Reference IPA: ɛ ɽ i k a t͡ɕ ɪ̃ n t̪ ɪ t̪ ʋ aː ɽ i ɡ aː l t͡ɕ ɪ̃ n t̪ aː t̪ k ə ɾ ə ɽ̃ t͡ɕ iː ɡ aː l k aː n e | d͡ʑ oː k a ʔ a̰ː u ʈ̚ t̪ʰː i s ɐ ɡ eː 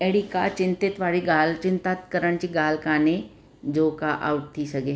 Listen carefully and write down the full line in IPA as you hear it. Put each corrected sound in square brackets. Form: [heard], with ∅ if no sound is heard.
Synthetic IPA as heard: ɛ ɽ i k a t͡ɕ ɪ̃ n t̪ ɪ t̪ ʋ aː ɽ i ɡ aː l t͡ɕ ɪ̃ n t̪ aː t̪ k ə ɾ ə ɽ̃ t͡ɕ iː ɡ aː l k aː n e | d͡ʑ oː k a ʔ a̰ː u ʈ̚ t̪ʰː i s ɐ ɡ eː